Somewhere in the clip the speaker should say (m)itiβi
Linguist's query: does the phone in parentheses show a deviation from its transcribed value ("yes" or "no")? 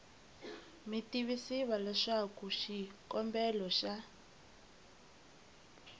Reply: no